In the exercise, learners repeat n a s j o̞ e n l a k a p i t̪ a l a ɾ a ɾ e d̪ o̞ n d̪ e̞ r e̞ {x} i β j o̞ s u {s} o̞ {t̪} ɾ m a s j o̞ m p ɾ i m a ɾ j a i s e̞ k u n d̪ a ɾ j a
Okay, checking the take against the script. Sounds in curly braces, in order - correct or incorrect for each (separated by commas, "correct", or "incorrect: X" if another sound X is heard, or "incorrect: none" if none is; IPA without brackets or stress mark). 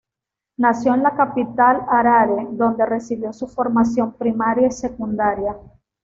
incorrect: s, incorrect: f, incorrect: none